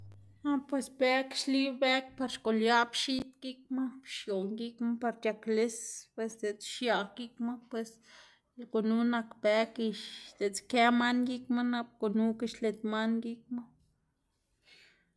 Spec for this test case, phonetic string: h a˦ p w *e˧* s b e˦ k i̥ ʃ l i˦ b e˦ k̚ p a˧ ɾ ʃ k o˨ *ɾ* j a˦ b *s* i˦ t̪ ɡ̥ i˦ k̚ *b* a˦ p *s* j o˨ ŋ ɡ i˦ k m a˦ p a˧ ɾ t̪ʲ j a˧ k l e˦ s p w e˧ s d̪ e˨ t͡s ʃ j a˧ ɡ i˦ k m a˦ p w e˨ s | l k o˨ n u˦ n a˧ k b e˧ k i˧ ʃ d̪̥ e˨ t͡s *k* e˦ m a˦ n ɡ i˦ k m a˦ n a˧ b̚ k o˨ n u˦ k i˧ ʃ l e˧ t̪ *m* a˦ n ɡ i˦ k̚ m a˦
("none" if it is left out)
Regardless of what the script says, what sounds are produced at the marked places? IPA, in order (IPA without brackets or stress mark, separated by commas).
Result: e˧, l, ʃ, m, ʃ, k, m